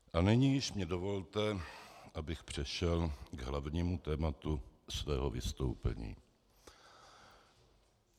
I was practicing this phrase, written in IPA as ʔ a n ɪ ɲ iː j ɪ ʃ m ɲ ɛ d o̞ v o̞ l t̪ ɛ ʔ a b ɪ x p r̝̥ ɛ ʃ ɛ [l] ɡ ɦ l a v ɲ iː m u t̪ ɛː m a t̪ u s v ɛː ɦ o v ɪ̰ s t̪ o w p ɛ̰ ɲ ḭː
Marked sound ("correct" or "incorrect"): correct